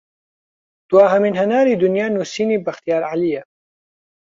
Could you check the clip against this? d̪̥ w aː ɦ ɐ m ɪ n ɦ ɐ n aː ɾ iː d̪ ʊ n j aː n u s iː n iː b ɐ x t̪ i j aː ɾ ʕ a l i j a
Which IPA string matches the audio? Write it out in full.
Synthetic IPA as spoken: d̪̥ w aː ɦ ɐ m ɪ n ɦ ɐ n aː ɾ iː d̪ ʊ n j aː n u s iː n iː b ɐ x t̪ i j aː ɾ ʕ a l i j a